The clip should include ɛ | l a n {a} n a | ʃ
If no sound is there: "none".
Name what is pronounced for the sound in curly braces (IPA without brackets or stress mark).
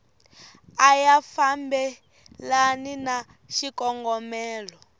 i